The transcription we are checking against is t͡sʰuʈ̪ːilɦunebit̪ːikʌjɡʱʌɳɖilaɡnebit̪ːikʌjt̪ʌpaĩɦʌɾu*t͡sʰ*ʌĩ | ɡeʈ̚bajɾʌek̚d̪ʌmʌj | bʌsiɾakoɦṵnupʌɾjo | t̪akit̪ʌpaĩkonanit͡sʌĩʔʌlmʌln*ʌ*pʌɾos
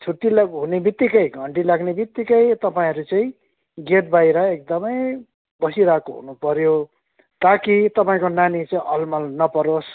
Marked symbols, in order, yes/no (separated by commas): no, yes